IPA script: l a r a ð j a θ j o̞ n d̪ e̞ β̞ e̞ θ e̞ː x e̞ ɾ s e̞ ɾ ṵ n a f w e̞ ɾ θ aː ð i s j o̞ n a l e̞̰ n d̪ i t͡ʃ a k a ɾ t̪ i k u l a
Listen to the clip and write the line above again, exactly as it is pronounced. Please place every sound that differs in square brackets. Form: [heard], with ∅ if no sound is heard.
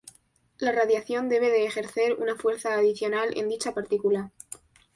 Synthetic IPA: l a r a ð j a θ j o̞ n d̪ e̞ β̞ e̞ [ð] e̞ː x e̞ ɾ [θ] e̞ ɾ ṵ n a f w e̞ ɾ θ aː ð i [θ] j o̞ n a l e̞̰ n d̪ i t͡ʃ a [p] a ɾ t̪ i k u l a